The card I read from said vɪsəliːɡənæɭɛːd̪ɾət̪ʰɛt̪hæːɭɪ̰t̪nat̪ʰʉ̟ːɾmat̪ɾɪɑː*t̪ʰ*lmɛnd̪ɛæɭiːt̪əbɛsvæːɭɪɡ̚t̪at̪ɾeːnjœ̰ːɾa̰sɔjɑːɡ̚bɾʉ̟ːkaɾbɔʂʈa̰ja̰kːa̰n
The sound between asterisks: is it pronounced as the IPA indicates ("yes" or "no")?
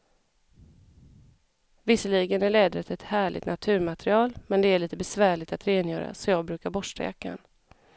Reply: no